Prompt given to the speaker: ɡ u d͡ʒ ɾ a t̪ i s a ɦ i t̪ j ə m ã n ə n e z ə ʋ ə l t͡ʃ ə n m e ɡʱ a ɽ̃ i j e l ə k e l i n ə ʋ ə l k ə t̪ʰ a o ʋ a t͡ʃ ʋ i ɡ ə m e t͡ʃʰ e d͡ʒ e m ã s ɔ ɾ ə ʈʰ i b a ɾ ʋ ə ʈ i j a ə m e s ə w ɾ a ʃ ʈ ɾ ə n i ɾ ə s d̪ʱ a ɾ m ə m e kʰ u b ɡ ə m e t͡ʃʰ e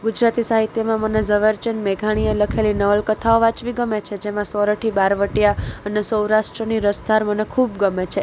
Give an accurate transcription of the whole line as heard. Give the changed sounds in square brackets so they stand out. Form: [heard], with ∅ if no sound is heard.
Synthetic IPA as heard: ɡ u d͡ʒ ɾ a t̪ i s a ɦ i t̪ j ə m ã [m] ə n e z ə ʋ ə [ɾ] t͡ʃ ə n m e ɡʱ a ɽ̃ i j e l ə [kʰ] e l i n ə ʋ ə l k ə t̪ʰ a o ʋ a t͡ʃ ʋ i ɡ ə m e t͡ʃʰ e d͡ʒ e m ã s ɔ ɾ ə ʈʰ i b a ɾ ʋ ə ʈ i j a ə [n] e s ə w ɾ a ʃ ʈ ɾ ə n i ɾ ə s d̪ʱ a ɾ m ə [n] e kʰ u b ɡ ə m e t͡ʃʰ e